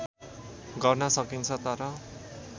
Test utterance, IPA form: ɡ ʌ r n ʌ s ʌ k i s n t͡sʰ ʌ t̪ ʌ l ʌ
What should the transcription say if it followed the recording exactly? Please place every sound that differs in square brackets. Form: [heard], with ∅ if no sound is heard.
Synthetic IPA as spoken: ɡ ʌ r n ʌ s ʌ k i [∅] n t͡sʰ ʌ t̪ ʌ [ɾ] ʌ

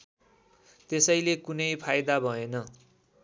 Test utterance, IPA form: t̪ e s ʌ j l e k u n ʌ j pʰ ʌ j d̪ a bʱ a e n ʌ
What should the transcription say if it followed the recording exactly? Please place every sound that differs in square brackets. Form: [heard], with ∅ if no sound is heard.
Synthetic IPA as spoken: t̪ e s ʌ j l e k u n ʌ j pʰ [a] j d̪ a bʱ [ʌ] e n ʌ

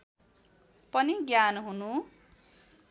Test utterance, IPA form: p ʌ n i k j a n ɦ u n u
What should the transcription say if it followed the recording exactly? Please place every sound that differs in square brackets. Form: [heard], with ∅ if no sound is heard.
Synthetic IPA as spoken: p ʌ n i [ɡ] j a n ɦ u n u

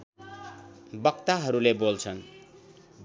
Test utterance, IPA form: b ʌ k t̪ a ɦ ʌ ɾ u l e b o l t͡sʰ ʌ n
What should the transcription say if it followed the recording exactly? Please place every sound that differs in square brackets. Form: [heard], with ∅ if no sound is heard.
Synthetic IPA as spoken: b ʌ k t̪ a ɦ ʌ ɾ u l e b o l t͡sʰ ʌ n

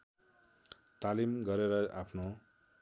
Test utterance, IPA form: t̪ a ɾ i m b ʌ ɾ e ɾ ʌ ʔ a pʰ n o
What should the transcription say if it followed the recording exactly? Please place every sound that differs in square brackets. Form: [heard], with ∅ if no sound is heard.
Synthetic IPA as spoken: t̪ a [l] i m [ɡ] ʌ ɾ e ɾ ʌ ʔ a pʰ n o

